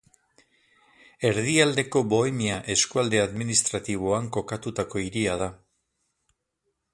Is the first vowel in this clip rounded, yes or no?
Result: no